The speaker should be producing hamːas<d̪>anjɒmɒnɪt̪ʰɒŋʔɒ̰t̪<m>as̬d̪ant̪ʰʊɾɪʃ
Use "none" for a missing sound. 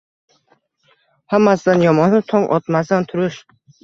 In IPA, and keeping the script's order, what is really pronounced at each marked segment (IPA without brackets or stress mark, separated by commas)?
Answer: d̪, m